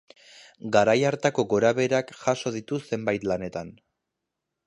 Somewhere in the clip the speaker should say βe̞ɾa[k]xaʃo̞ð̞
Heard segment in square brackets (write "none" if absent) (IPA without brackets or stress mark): k